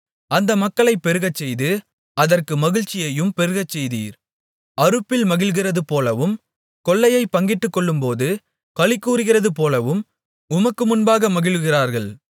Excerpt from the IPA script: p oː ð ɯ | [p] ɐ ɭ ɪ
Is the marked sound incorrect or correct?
incorrect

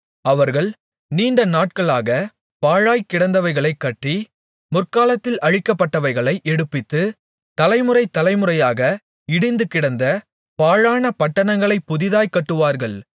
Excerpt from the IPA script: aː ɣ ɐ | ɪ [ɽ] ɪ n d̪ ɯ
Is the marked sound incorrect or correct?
correct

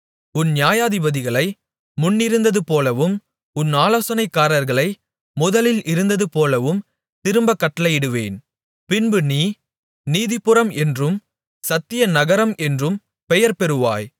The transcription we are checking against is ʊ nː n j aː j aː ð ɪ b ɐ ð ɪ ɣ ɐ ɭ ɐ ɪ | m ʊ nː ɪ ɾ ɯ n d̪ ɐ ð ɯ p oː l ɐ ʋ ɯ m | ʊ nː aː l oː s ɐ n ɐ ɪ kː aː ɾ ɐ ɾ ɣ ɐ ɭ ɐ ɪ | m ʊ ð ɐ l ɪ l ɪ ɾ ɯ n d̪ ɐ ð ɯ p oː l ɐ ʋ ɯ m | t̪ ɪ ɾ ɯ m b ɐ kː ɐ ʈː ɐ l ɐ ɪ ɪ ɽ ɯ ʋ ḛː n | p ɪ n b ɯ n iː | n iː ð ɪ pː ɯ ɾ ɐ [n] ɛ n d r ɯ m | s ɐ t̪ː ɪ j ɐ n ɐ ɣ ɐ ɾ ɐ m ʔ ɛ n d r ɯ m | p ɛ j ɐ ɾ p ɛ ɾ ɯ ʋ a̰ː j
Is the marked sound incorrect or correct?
incorrect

